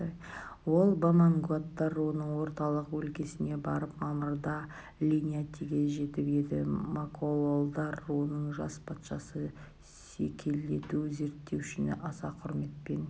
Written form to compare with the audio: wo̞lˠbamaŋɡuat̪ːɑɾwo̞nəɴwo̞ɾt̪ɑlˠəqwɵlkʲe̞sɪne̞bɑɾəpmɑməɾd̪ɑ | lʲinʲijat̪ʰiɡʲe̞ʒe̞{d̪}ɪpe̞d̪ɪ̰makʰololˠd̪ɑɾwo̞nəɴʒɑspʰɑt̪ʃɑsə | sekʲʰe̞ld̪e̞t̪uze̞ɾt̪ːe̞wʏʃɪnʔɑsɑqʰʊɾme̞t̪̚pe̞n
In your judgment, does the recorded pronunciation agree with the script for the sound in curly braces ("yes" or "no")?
no